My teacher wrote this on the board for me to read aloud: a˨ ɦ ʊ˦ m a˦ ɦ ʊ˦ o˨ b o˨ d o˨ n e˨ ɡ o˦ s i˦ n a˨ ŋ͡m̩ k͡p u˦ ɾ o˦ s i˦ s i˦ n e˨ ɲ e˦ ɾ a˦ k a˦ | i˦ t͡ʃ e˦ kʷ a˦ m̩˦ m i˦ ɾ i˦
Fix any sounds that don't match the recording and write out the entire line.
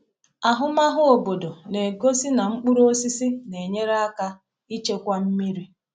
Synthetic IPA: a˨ ɦ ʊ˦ m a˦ ɦ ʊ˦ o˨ b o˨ d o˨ n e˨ ɡ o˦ s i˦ n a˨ ŋ͡m̩ k͡p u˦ ɾ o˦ s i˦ s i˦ n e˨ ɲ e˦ ɾ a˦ k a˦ | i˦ t͡ʃ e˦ kʷ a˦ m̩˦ m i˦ ɾ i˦